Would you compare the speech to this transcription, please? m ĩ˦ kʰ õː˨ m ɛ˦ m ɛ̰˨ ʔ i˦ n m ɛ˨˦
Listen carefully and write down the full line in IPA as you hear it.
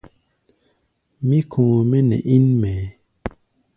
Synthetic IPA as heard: m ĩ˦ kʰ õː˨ m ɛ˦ n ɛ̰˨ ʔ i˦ n m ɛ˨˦